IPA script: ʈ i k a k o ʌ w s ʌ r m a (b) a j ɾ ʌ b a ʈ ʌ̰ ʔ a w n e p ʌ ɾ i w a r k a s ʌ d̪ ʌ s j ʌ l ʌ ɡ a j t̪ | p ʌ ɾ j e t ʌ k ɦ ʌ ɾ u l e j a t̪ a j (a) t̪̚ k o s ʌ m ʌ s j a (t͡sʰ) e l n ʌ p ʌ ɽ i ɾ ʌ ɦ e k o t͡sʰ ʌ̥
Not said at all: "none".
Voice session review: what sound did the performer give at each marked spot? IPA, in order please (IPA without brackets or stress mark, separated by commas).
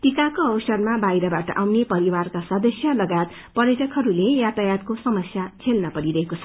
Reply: b, a, t͡sʰ